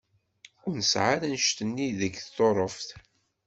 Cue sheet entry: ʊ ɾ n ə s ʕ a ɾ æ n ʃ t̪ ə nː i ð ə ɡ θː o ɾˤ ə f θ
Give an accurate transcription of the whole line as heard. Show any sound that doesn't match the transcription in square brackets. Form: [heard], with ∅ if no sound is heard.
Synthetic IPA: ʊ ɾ n ə s ʕ a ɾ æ n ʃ t̪ ə nː i ð ə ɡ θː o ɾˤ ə f θ